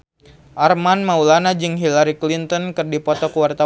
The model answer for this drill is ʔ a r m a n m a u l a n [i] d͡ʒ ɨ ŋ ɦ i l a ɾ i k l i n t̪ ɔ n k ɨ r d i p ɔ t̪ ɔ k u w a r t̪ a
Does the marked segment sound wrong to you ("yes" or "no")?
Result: yes